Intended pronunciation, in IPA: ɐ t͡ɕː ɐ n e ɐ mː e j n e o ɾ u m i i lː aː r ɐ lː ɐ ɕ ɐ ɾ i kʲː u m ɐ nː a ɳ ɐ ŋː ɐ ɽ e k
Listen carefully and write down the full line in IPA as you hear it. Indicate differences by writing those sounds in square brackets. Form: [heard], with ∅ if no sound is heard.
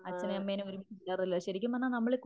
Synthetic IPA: ɐ t͡ɕː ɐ n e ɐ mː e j n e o ɾ u m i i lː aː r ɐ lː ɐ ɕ ɐ ɾ i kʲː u m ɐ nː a [n] ɐ [mː] ɐ [ɭ] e k